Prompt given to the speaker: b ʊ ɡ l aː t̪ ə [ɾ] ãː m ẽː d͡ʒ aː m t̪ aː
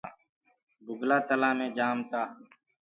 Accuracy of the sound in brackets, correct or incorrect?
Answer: incorrect